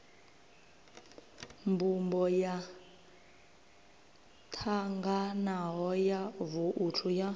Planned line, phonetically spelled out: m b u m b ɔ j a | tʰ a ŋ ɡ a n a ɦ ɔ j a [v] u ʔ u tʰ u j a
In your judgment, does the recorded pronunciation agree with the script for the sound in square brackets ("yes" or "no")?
yes